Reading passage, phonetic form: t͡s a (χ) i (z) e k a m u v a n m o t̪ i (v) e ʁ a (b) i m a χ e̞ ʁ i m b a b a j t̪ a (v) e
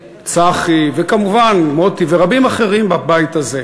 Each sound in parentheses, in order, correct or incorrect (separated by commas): correct, incorrect, correct, correct, incorrect